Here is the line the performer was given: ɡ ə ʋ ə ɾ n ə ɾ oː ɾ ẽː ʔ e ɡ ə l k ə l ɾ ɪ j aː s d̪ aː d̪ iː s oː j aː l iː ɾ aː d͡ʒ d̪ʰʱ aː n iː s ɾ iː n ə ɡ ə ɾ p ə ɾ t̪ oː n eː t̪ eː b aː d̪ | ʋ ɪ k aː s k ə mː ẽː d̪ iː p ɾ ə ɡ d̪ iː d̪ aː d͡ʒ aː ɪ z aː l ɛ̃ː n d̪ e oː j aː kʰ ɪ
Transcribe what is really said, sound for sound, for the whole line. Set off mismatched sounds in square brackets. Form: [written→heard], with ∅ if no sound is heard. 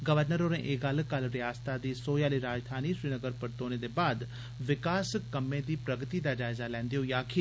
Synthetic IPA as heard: ɡ ə ʋ ə ɾ n ə ɾ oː ɾ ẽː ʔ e ɡ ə l k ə l ɾ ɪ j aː s [d̪→t̪] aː d̪ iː s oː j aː l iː ɾ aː d͡ʒ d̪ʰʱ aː n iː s ɾ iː n ə ɡ ə ɾ p ə ɾ t̪ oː n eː [t̪→d̪] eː b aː d̪ | ʋ ɪ k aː s k ə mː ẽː d̪ iː p ɾ ə ɡ [d̪→t̪] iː d̪ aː d͡ʒ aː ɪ z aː l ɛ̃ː n d̪ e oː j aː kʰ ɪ